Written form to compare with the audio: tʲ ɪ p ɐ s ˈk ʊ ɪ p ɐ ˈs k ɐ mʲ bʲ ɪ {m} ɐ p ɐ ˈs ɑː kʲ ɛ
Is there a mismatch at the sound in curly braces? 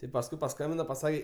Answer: yes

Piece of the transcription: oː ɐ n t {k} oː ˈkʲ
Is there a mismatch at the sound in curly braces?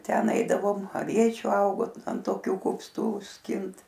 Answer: yes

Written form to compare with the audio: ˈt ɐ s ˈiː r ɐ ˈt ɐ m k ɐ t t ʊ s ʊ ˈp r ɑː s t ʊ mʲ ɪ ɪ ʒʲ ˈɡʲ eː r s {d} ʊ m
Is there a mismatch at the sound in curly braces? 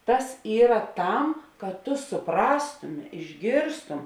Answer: yes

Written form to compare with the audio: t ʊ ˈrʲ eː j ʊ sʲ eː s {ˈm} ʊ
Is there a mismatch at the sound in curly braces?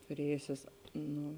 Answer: yes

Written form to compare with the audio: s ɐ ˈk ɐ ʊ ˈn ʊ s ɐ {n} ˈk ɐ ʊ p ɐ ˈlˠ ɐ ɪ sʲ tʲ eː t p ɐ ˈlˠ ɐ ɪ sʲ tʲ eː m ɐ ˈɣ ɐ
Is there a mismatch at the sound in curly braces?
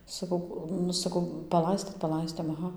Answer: yes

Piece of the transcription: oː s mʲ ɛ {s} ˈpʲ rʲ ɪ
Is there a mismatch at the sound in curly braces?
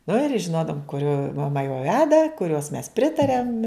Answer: no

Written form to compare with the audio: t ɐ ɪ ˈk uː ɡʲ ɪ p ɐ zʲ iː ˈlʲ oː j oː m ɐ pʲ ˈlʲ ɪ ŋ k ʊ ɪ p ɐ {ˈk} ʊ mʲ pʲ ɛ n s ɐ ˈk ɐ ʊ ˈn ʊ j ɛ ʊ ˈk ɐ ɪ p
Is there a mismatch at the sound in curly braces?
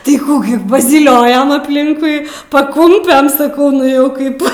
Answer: no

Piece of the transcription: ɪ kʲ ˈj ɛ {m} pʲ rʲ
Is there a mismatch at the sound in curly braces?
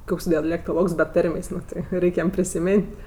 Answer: no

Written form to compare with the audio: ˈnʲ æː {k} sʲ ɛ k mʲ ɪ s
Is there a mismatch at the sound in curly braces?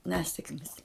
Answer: yes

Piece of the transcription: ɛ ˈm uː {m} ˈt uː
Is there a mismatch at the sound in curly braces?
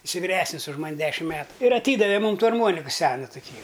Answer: no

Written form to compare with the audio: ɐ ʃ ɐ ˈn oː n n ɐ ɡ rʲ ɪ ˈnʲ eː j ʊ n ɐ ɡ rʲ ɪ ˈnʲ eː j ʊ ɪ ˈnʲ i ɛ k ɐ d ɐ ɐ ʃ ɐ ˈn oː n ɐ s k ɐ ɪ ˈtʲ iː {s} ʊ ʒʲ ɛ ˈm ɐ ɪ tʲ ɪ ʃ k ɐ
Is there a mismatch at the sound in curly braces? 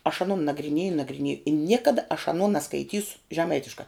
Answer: no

